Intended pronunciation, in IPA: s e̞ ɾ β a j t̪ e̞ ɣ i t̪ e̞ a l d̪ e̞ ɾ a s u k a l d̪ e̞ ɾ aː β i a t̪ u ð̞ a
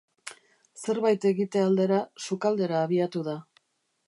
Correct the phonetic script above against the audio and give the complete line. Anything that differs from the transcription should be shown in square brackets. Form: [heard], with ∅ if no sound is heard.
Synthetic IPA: s e̞ ɾ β a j t̪ e̞ ɣ i t̪ e̞ a l d̪ e̞ ɾ a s u k a l d̪ e̞ ɾ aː β i a t̪ u ð̞ a